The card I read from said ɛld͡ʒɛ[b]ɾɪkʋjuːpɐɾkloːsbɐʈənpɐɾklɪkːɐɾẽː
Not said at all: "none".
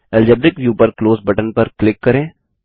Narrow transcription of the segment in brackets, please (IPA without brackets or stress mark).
b